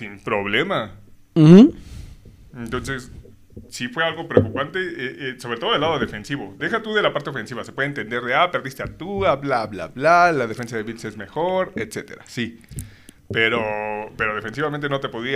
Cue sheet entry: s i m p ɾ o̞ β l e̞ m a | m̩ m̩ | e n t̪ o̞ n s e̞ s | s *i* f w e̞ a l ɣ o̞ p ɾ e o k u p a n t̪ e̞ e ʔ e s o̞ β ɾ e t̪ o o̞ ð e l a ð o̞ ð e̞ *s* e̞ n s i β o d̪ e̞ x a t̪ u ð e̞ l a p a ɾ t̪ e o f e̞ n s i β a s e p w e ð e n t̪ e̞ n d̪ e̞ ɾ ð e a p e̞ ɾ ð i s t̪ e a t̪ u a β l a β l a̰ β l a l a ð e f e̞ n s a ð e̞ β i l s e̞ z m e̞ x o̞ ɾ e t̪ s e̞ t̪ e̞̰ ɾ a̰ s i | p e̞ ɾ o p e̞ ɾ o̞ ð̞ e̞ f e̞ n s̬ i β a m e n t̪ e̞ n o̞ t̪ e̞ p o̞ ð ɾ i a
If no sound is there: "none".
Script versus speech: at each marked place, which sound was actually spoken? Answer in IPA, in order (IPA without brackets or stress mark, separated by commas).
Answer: i, f